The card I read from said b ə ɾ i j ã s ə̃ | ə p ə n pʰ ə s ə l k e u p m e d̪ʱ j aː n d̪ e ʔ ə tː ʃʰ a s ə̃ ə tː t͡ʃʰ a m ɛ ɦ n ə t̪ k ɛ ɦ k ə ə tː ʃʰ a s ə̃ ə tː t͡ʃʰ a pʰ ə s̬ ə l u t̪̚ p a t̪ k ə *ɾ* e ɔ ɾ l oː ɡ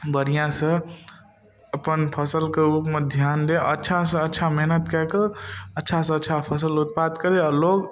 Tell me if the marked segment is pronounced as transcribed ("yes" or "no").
yes